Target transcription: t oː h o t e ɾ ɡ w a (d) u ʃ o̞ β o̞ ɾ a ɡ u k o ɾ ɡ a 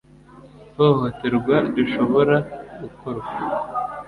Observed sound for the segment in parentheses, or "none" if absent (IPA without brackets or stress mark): d